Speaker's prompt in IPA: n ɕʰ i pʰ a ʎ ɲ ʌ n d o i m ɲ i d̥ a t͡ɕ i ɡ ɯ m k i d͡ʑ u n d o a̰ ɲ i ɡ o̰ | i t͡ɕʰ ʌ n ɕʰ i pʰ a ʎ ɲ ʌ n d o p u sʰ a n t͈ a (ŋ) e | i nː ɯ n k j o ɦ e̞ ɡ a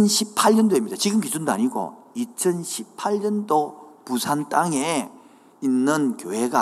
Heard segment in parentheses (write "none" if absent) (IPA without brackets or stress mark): ŋ